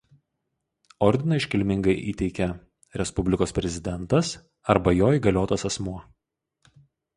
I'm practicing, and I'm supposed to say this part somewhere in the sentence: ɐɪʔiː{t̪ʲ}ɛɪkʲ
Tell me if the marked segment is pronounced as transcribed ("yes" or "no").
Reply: yes